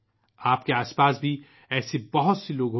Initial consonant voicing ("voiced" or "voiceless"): voiceless